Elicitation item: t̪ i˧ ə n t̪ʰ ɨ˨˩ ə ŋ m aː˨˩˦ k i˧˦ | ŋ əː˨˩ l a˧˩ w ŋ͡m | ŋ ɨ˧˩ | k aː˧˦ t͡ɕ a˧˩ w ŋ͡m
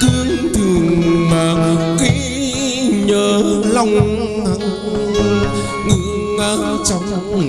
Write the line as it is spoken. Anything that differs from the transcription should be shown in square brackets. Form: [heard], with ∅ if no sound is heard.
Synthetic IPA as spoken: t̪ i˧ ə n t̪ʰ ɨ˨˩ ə ŋ m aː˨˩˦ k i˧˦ | [ɲ] əː˨˩ l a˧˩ w ŋ͡m | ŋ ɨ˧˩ | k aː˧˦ t͡ɕ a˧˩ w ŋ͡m

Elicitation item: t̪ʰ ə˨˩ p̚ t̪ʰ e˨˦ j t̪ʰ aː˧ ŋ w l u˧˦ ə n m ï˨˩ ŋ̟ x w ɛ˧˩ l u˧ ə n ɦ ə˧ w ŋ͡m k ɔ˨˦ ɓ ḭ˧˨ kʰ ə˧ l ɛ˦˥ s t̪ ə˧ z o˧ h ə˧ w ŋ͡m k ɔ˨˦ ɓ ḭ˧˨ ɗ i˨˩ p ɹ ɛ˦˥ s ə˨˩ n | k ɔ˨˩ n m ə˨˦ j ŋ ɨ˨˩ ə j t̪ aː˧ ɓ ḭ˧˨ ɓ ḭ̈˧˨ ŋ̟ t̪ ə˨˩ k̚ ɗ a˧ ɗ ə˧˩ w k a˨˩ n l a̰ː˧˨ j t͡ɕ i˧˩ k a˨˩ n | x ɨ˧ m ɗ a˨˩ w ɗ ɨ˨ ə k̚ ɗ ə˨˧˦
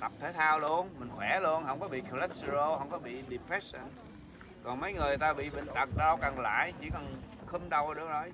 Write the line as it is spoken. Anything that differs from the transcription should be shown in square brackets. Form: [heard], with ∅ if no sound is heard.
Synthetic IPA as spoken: [t̪] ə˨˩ p̚ t̪ʰ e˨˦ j t̪ʰ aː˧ [∅] w l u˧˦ ə n m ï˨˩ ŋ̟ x w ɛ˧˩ l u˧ ə n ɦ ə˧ w ŋ͡m k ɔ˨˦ ɓ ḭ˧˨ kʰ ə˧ l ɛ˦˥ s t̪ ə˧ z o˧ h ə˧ w ŋ͡m k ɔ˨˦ ɓ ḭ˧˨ ɗ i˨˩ p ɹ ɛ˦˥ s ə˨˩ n | k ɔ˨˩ n m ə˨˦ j ŋ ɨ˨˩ ə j t̪ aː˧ ɓ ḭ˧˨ ɓ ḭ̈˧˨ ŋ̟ t̪ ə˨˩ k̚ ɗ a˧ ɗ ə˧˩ w k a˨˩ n l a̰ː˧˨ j t͡ɕ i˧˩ k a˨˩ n | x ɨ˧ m ɗ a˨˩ w ɗ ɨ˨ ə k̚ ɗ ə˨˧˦

